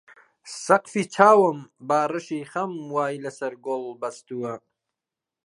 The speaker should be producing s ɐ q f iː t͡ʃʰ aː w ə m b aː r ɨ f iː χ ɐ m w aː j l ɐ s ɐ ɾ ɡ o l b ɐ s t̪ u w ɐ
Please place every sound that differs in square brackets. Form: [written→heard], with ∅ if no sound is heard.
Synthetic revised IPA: s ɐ q f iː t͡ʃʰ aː w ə m b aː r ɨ [f→ʃ] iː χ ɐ m w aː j l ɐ s ɐ ɾ ɡ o l b ɐ s t̪ u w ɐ